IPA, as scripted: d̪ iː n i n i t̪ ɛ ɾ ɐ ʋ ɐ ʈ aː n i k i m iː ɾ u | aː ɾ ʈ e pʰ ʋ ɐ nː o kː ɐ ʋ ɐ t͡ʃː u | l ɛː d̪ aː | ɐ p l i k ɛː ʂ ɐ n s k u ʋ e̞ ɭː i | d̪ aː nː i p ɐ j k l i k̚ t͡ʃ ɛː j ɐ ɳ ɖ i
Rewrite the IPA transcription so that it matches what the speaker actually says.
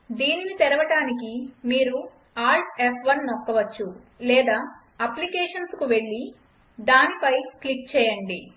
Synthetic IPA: d̪ iː n i n i t̪ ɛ ɾ ɐ ʋ ɐ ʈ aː n i k i m iː ɾ u | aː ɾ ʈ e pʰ ʋ ɐ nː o kː ɐ ʋ ɐ t͡ʃː u | l ɛː d̪ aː | ɐ p l i k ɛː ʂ ɐ n s k u ʋ e̞ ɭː i | d̪ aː n i p ɐ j k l i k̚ t͡ʃ ɛː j ɐ ɳ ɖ i